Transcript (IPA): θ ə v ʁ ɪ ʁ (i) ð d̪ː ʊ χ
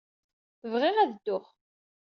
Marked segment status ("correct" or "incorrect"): incorrect